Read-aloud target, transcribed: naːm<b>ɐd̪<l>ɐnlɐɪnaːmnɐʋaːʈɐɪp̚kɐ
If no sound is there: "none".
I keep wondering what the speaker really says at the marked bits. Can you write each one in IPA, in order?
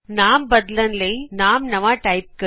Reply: b, l

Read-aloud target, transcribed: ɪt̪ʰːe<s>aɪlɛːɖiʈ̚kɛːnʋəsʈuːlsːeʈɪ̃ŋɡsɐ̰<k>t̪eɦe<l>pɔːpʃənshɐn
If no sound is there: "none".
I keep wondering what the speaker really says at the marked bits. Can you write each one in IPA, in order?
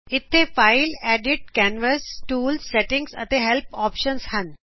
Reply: f, none, l

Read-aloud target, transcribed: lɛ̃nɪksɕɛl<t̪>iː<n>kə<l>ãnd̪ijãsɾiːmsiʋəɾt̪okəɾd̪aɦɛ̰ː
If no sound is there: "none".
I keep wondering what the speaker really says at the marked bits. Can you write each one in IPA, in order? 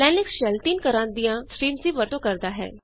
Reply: t̪, n, ɾ

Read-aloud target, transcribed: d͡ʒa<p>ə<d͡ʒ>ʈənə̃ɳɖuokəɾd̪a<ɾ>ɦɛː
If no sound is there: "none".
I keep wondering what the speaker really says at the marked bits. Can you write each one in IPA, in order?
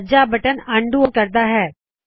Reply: b, none, none

